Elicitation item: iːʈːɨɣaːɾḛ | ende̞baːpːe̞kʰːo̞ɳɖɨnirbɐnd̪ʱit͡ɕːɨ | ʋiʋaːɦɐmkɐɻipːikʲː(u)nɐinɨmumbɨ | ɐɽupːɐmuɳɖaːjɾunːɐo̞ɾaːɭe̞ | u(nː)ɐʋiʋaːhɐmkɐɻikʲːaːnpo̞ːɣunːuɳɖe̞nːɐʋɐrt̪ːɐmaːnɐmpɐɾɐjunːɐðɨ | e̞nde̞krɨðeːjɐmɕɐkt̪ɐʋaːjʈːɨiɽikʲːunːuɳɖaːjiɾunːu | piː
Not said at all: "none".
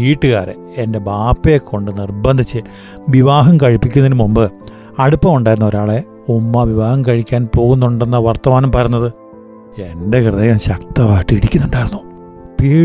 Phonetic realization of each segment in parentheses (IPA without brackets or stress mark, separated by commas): u, mː